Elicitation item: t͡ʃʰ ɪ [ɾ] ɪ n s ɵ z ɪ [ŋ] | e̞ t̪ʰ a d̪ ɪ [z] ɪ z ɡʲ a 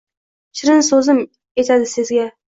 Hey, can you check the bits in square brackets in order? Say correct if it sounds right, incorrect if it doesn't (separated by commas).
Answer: correct, incorrect, incorrect